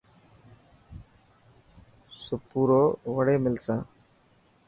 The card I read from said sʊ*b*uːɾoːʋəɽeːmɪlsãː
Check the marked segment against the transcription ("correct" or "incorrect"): incorrect